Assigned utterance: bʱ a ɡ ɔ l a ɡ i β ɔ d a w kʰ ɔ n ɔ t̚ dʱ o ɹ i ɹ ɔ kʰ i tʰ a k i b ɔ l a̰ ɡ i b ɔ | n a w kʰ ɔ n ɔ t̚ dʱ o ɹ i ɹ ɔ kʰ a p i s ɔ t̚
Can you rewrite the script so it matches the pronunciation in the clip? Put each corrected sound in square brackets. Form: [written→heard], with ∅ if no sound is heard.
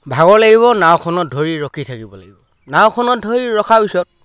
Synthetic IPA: bʱ a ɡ ɔ l a ɡ i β ɔ [d→n] a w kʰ ɔ n ɔ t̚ dʱ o ɹ i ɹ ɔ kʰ i tʰ a k i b ɔ l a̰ ɡ i b ɔ | n a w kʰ ɔ n ɔ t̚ dʱ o ɹ i ɹ ɔ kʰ a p i s ɔ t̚